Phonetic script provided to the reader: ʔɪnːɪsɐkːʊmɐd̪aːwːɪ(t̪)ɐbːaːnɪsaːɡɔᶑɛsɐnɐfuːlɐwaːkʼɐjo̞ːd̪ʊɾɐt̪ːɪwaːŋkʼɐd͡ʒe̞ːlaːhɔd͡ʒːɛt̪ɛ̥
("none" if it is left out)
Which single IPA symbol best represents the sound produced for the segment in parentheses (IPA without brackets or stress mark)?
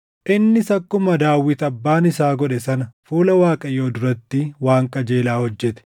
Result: t̪